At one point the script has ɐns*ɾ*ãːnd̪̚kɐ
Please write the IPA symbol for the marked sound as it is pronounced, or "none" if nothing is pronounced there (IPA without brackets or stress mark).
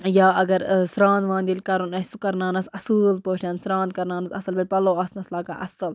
ɾ